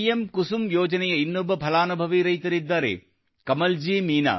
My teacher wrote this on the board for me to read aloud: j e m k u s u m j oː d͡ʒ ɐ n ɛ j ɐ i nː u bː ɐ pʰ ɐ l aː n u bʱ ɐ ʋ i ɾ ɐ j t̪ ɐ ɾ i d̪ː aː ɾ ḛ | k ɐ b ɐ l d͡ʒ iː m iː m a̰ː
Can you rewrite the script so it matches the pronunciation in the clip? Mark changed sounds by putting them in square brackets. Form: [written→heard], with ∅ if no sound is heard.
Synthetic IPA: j e m k u s u m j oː d͡ʒ ɐ n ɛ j ɐ i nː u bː ɐ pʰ ɐ l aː n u bʱ ɐ ʋ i ɾ ɐ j t̪ ɐ ɾ i d̪ː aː ɾ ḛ | k ɐ [b→m] ɐ l d͡ʒ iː m iː [m→n] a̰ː

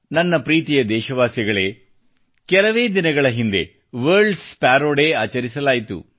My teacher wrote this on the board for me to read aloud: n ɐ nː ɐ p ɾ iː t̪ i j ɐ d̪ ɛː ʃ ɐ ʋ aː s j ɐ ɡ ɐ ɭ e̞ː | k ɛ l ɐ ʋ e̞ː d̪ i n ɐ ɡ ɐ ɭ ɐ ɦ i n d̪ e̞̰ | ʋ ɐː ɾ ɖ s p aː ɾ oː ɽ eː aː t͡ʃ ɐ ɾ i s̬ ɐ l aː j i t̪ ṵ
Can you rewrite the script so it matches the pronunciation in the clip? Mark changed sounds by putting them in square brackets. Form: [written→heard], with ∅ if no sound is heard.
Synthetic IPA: n ɐ nː ɐ p ɾ iː t̪ i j ɐ d̪ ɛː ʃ ɐ ʋ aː s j ɐ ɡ ɐ ɭ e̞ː | k ɛ l ɐ ʋ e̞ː d̪ i n ɐ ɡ ɐ ɭ ɐ ɦ i n d̪ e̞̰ | ʋ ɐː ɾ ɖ s p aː ɾ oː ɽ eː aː t͡ʃ ɐ ɾ i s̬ ɐ l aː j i t̪ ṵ

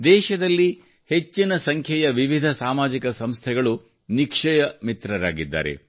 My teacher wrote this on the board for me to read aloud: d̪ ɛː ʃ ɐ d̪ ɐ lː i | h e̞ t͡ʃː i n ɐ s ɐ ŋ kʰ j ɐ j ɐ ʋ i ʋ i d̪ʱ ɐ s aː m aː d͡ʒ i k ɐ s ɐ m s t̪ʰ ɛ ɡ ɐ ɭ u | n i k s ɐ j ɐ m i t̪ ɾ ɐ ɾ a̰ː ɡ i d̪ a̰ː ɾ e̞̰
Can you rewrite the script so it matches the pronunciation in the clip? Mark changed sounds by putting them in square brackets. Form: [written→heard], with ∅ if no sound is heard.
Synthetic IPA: d̪ ɛː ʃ ɐ d̪ ɐ lː i | h e̞ t͡ʃː i n ɐ s ɐ ŋ kʰ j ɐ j ɐ ʋ i ʋ i d̪ʱ ɐ s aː m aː d͡ʒ i k ɐ s ɐ m s t̪ʰ ɛ ɡ ɐ ɭ u | n i k [s→ʂ] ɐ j ɐ m i t̪ ɾ ɐ ɾ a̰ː ɡ i [d̪→d̪ː] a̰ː ɾ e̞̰

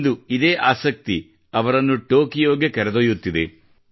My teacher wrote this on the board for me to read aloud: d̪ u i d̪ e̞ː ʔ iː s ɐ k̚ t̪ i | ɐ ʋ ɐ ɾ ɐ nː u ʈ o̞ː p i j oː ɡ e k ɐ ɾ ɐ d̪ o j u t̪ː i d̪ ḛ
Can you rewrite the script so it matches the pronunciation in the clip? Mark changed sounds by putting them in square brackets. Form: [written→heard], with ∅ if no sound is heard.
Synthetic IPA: d̪ u i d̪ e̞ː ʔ [iː→aː] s ɐ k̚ t̪ i | ɐ ʋ ɐ ɾ ɐ nː u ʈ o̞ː [p→k] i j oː ɡ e k ɐ ɾ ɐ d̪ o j u t̪ː i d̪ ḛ

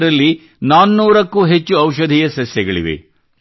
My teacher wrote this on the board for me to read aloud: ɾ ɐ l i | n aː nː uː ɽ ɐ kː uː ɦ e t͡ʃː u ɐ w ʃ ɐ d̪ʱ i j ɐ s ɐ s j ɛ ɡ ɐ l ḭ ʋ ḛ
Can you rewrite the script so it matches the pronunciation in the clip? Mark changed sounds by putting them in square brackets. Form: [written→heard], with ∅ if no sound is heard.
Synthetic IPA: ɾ ɐ [l→lː] i | n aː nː uː [ɽ→ɾ] ɐ kː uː ɦ e t͡ʃː u ɐ w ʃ ɐ d̪ʱ i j ɐ s ɐ s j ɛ ɡ ɐ [l→ɭ] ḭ ʋ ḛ

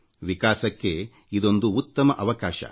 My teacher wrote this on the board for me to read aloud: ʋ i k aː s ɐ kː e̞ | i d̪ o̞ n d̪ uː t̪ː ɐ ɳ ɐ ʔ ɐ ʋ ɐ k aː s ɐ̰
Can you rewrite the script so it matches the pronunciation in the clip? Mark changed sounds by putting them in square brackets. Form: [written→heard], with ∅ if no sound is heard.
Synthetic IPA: ʋ i k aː s ɐ kː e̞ | i d̪ o̞ n d̪ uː t̪ː ɐ [ɳ→m] ɐ ʔ ɐ ʋ ɐ k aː [s→ʃ] ɐ̰

